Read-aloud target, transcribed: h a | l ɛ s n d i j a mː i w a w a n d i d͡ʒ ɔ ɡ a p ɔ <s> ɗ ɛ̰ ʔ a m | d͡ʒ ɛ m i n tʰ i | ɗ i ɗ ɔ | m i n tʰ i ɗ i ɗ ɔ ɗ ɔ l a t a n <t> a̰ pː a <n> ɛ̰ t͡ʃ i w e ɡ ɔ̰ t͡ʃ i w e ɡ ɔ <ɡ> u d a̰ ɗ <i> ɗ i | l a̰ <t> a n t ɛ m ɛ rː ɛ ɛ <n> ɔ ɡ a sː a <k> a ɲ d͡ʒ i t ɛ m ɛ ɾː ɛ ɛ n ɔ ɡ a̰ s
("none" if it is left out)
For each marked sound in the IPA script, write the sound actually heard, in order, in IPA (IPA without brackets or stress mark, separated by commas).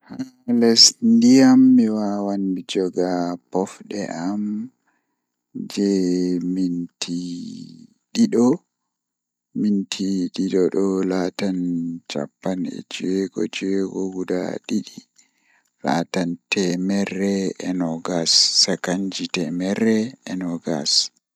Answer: f, t͡ʃ, n, ɡ, i, t, n, k